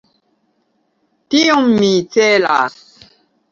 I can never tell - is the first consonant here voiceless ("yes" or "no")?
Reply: yes